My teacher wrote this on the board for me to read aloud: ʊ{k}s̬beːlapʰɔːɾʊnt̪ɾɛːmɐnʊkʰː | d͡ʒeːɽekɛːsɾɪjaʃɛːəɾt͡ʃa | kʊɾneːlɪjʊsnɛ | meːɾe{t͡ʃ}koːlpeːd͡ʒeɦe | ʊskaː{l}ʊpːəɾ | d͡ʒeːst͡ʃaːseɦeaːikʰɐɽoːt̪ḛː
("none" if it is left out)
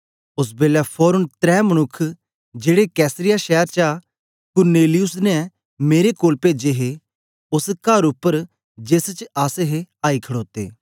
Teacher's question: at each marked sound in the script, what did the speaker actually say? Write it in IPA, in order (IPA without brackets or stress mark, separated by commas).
none, none, ɾ